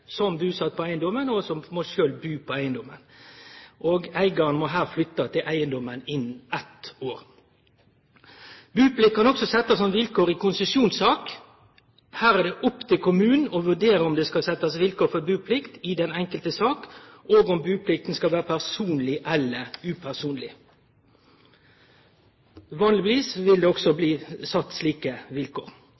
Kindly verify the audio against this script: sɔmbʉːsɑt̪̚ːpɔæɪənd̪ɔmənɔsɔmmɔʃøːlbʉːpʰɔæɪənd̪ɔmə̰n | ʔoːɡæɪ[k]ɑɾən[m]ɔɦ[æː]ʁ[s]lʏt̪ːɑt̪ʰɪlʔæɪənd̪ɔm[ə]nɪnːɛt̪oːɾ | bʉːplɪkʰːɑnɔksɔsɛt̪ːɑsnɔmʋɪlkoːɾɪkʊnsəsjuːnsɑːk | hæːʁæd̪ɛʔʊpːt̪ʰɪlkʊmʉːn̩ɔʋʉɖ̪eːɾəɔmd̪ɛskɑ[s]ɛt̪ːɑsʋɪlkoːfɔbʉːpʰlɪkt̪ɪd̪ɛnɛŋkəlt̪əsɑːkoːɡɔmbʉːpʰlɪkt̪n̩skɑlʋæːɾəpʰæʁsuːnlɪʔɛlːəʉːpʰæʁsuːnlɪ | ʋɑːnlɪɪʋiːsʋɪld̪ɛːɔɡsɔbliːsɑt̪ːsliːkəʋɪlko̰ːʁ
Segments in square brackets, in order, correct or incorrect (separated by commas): incorrect, correct, correct, incorrect, correct, correct